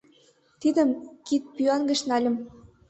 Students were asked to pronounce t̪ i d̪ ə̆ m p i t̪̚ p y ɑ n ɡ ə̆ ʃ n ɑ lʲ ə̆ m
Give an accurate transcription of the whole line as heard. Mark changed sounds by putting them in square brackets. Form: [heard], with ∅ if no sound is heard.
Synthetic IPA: t̪ i d̪ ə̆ m [k] i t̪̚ p y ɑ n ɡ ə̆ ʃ n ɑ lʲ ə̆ m